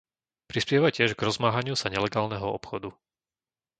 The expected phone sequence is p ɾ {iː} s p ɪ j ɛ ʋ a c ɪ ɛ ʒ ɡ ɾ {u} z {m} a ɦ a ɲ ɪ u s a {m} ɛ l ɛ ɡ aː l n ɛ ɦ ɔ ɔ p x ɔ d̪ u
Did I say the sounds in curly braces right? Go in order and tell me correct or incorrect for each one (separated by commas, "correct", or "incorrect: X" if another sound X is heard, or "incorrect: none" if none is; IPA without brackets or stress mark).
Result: incorrect: i, incorrect: ɔ, correct, incorrect: ɲ